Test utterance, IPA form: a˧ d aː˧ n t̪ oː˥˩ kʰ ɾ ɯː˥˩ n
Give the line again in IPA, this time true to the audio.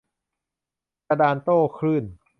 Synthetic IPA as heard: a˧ d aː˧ n t̪ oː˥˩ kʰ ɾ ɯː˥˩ n